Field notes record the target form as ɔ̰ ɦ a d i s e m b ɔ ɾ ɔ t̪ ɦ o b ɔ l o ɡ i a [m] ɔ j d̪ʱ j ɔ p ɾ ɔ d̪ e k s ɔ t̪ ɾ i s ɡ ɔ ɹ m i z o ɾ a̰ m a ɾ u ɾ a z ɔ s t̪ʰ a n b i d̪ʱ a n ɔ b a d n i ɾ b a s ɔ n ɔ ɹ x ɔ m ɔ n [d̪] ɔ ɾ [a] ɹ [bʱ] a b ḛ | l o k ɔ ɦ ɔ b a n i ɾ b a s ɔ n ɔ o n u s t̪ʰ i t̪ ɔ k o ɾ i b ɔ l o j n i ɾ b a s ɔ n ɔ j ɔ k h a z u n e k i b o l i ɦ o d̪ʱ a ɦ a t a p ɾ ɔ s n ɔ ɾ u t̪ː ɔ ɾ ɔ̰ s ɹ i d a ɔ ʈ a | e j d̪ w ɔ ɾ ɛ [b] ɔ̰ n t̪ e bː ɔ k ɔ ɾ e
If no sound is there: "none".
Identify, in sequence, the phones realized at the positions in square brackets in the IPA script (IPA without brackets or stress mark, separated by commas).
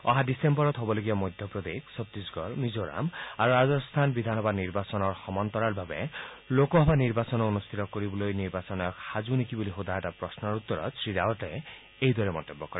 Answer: m, t̪, a, bʱ, m